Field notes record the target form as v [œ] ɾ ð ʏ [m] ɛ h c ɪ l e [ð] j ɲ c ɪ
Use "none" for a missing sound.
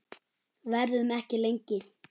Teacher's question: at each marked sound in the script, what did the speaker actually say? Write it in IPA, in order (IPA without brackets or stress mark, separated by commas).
ɛ, m, none